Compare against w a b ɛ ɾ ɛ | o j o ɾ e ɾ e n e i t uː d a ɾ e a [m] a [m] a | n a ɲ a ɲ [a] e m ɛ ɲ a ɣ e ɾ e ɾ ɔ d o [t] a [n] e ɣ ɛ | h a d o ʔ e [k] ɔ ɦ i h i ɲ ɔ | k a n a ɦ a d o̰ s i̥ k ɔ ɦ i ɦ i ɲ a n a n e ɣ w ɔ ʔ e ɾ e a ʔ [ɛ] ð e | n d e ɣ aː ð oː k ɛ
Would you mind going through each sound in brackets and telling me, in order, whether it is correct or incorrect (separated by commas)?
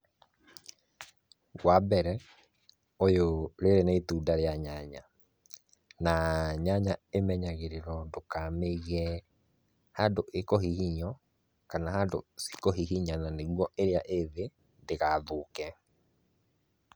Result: incorrect, incorrect, correct, incorrect, incorrect, correct, incorrect